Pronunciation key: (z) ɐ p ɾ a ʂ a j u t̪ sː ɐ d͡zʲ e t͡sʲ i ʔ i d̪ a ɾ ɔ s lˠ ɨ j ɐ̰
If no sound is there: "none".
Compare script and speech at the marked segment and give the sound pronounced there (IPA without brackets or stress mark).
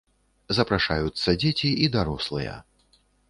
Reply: z